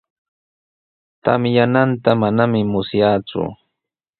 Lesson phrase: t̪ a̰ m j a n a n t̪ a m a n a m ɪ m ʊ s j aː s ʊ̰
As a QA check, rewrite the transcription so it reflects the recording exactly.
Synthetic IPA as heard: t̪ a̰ m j a n a n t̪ a m a n a m ɪ m ʊ s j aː t͡s ʊ̰